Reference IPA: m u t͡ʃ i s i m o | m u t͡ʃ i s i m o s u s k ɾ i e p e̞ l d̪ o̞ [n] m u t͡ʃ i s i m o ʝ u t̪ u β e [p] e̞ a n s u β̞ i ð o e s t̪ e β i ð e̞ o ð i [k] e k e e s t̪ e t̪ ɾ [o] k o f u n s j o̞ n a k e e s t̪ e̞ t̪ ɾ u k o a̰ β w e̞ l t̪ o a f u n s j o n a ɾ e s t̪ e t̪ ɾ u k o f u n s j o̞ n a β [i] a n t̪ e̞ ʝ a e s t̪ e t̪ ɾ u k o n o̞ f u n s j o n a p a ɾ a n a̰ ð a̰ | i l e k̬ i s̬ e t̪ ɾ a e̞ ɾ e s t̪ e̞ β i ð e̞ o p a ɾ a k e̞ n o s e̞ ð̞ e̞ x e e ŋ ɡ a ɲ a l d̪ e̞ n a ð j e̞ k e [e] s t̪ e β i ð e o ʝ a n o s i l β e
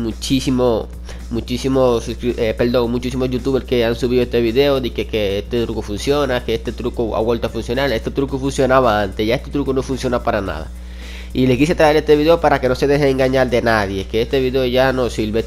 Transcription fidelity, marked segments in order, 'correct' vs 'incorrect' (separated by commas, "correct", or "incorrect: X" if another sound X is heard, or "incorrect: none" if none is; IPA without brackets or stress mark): incorrect: ŋ, incorrect: k, correct, incorrect: u, incorrect: a, correct